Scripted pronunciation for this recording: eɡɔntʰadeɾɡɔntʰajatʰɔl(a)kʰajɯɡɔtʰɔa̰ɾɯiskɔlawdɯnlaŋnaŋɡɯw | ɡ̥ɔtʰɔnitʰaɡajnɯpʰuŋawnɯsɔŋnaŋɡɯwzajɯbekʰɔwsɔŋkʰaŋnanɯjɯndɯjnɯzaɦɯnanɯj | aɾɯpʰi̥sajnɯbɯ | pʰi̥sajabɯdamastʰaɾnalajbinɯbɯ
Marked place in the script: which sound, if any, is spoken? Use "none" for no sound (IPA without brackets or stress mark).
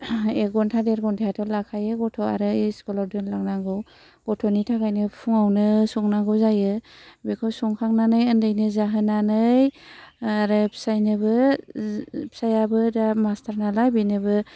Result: a